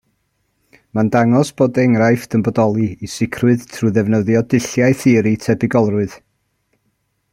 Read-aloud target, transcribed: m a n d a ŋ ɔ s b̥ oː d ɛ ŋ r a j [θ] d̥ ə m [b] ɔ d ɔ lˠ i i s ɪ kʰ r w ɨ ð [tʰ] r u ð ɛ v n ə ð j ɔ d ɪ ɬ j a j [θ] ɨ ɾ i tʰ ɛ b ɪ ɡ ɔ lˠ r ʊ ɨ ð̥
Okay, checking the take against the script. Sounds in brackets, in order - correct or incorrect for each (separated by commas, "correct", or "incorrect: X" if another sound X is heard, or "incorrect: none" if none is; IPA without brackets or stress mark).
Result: incorrect: f, correct, correct, correct